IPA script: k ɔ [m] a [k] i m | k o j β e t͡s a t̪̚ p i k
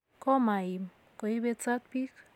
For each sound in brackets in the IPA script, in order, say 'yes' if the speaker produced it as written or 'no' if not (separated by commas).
yes, no